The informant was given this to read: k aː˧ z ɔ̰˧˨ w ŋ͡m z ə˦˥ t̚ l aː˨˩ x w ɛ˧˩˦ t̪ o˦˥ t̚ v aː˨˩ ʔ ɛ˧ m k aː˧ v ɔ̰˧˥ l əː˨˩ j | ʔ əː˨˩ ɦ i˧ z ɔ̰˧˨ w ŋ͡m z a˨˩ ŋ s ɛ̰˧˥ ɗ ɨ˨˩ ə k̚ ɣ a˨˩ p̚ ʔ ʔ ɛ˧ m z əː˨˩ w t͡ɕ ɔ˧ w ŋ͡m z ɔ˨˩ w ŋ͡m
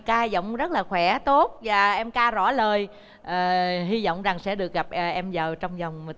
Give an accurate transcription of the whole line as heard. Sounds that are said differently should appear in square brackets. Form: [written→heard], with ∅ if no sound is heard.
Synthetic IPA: k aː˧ z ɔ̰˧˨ w ŋ͡m z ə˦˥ t̚ l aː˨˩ x w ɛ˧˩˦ t̪ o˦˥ t̚ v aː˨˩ ʔ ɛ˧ m k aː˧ [v→z] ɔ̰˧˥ l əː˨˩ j | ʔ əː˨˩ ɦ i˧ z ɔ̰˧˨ w ŋ͡m z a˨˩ ŋ s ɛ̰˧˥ ɗ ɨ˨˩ ə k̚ ɣ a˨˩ p̚ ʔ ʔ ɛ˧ m z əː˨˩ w t͡ɕ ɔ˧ w ŋ͡m z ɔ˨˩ w ŋ͡m

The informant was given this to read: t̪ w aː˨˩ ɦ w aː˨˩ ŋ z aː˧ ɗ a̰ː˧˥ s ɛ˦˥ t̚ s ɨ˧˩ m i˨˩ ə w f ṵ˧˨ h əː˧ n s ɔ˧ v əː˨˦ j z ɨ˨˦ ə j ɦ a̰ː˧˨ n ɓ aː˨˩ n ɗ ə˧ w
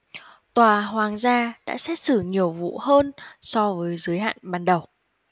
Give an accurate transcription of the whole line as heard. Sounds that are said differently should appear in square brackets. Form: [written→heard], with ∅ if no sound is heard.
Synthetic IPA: t̪ w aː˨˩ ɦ w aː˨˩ ŋ z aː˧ ɗ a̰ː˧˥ s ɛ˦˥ t̚ s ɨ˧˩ [m→ɲ] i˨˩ ə w [f→v] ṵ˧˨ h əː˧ n s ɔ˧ v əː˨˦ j z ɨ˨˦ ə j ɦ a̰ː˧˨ n ɓ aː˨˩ n ɗ [ə˧→ə˨˩] w

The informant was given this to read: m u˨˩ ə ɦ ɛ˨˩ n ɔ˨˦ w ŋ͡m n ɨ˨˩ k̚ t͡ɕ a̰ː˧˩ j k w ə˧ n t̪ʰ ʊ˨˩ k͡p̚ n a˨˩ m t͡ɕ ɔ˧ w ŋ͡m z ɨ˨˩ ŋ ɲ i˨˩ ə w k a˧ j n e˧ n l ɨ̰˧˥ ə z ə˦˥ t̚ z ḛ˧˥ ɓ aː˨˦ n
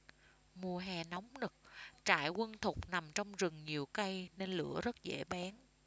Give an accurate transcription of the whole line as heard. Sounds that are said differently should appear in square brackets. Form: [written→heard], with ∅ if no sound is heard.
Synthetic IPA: m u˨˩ ə ɦ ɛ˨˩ n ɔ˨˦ w ŋ͡m n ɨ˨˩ k̚ t͡ɕ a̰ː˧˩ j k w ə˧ n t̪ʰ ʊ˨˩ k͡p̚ n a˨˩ m t͡ɕ ɔ˧ w ŋ͡m z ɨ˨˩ ŋ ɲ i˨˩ ə w k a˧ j n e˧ n l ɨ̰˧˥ ə z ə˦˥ t̚ z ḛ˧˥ ɓ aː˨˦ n

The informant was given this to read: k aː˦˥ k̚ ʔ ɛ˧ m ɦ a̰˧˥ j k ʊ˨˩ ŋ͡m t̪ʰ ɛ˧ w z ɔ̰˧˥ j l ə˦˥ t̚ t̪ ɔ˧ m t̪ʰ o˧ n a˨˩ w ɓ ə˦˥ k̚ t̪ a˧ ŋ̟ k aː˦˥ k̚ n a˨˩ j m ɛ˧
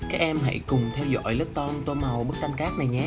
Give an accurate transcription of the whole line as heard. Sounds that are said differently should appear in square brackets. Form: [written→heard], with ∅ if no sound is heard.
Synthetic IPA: k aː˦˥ k̚ ʔ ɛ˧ m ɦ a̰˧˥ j k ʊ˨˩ ŋ͡m t̪ʰ ɛ˧ w z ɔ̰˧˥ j l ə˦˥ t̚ t̪ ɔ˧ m [t̪ʰ→t̪] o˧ [n→m] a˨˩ w ɓ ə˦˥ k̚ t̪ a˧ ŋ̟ k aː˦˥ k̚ n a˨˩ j [m→ɲ] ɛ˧

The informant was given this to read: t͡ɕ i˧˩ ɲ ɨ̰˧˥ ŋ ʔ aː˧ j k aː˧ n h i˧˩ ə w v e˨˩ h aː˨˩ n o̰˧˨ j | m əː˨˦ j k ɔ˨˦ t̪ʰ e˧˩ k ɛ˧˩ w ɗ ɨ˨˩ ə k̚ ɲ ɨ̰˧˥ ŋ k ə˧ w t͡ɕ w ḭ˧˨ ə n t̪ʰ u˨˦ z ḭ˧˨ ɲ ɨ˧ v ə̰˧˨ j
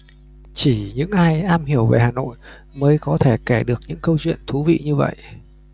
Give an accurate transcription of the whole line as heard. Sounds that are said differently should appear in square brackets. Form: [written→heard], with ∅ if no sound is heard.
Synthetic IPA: t͡ɕ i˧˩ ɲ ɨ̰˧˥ ŋ ʔ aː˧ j [k→ʔ] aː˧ [n→m] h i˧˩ ə w v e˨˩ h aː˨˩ n o̰˧˨ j | m əː˨˦ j k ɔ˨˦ t̪ʰ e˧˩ k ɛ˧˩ [w→∅] ɗ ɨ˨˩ ə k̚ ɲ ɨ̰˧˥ ŋ k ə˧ w t͡ɕ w ḭ˧˨ ə n t̪ʰ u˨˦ [z→v] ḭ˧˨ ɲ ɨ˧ v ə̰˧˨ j

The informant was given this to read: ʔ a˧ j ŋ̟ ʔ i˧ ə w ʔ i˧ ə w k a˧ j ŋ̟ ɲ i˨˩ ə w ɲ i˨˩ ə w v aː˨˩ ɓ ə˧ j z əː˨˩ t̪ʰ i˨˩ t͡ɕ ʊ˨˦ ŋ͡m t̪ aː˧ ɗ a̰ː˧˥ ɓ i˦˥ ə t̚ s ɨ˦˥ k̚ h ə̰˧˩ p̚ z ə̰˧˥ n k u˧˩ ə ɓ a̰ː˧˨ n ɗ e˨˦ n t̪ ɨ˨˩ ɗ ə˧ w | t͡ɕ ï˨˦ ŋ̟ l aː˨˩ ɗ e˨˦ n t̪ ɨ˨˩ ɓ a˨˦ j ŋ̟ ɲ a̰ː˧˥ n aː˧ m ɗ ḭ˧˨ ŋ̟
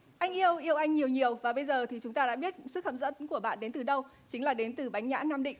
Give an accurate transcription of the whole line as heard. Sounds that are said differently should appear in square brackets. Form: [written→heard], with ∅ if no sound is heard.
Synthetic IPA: ʔ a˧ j ŋ̟ ʔ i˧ ə w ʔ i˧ ə w [k→ʔ] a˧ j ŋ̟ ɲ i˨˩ ə w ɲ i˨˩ ə w v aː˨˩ ɓ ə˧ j z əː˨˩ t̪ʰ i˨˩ t͡ɕ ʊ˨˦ ŋ͡m t̪ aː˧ ɗ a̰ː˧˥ ɓ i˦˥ ə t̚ s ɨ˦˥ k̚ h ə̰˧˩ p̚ z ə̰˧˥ n k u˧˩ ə ɓ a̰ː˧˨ n ɗ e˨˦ n t̪ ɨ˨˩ ɗ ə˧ w | t͡ɕ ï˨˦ ŋ̟ l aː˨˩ ɗ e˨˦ n t̪ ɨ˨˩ ɓ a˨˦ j ŋ̟ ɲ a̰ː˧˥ n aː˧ m ɗ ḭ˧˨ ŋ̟

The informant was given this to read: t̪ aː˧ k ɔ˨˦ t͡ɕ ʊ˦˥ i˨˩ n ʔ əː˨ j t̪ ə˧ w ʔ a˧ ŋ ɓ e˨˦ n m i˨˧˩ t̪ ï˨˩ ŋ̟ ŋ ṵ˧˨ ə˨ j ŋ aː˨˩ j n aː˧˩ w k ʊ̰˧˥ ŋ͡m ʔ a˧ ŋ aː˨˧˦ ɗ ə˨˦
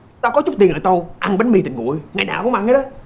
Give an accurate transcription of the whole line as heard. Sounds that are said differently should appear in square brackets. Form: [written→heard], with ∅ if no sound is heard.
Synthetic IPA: t̪ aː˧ k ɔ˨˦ t͡ɕ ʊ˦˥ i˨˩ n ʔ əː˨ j t̪ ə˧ w ʔ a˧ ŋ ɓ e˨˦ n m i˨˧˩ t̪ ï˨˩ ŋ̟ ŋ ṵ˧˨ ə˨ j ŋ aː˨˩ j n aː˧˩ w k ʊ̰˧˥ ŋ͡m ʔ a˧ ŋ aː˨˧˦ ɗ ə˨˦

